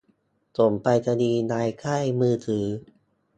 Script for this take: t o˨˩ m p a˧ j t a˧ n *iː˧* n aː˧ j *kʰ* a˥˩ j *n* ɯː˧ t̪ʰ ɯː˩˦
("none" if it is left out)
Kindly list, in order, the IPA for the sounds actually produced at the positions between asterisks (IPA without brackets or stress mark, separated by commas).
iː˧, kʰ, m